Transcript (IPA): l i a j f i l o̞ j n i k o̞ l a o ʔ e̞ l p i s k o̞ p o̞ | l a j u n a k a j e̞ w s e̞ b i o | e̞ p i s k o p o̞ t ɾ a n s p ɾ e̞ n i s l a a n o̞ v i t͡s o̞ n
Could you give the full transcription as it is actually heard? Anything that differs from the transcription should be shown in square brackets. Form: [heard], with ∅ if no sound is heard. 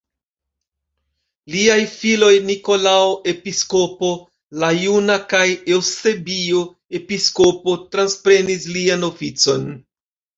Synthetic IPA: l i a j f i l o̞ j n i k o̞ l a o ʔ e̞ [∅] p i s k o̞ p o̞ | l a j u n a k a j e̞ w s e̞ b i o | e̞ p i s k o p o̞ t ɾ a n s p ɾ e̞ n i s l [i] a n o̞ [f] i t͡s o̞ n